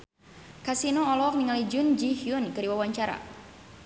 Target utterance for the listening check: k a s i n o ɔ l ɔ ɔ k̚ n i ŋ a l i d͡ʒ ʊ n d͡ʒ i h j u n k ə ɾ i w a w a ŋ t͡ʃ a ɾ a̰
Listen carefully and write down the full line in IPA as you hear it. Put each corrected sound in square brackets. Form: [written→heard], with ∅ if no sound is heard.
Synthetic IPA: k a s i n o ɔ l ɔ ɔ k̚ n i ŋ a l i d͡ʒ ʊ n d͡ʒ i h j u n k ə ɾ i w a w a [ŋ→ɲ] t͡ʃ a ɾ a̰